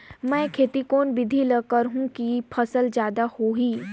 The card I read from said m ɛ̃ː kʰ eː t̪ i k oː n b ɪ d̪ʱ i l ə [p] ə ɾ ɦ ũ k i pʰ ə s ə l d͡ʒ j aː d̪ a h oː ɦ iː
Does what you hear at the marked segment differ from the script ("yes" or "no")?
yes